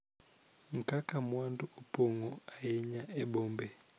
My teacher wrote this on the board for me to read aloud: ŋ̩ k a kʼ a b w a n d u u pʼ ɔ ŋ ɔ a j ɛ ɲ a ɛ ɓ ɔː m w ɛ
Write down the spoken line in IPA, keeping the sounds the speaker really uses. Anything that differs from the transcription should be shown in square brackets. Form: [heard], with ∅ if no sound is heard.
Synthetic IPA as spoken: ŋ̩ k a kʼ a [m] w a n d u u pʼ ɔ ŋ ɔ a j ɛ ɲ a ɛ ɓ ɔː m [b] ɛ